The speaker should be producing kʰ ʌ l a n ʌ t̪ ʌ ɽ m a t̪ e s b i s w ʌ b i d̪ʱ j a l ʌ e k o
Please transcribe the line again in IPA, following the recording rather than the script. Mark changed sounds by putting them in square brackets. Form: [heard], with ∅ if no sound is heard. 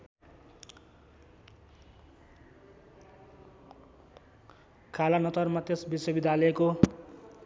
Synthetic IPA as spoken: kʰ [a] l a n ʌ t̪ ʌ [r] m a t̪ e s b i s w ʌ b i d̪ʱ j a l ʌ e k o